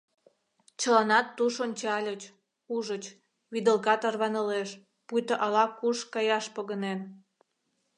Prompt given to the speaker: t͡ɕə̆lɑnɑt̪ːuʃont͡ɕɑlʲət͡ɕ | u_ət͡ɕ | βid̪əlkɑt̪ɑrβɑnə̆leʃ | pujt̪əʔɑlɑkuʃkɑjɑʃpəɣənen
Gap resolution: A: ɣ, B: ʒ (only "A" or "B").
B